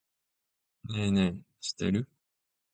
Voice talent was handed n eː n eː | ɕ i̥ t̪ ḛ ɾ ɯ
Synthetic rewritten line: n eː n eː | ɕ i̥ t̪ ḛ ɾ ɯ